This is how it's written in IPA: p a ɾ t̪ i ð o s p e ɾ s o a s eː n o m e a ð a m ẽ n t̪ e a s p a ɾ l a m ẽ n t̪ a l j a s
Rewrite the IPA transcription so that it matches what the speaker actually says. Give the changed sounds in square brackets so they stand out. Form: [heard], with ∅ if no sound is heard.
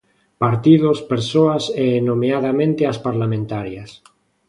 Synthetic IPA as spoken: p a ɾ t̪ i ð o s p e ɾ s o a s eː n o m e a ð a m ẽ n t̪ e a s p a ɾ l a m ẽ n t̪ a [ɾ] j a s